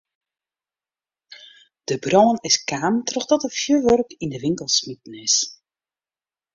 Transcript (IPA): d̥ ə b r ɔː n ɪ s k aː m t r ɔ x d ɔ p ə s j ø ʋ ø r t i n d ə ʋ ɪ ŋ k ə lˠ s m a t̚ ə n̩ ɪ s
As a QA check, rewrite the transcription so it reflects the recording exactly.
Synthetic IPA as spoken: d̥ ə b r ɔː n ɪ s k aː m t r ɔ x d ɔ t ə f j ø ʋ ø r k i n d ə ʋ ɪ ŋ k ə lˠ s m i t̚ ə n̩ ɪ s